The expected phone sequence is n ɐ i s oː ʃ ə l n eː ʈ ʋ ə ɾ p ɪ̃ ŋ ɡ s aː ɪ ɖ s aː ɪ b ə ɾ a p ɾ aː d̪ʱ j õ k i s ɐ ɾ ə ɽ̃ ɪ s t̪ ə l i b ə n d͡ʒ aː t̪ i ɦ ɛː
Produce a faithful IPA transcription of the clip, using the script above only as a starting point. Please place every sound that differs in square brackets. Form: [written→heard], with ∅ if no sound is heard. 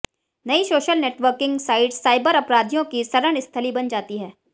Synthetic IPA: n ɐ i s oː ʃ ə l n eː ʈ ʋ ə ɾ [p→k] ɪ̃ ŋ ɡ s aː ɪ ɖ s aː ɪ b ə ɾ [a→ɐ] p ɾ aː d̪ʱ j õ k i s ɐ ɾ ə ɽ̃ ɪ s [t̪→t̪ʰ] ə l i b [ə→ɐ] n d͡ʒ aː t̪ i ɦ ɛː